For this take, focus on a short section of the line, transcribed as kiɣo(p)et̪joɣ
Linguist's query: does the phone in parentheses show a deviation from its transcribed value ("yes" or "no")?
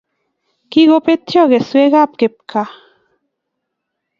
no